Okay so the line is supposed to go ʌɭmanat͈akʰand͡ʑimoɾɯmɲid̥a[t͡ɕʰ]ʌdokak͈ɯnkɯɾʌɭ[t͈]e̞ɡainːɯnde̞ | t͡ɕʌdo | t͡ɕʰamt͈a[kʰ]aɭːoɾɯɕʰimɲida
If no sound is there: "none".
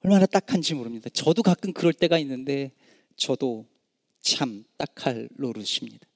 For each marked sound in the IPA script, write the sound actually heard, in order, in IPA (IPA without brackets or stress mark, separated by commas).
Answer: t͡ɕ, t͈, kʰ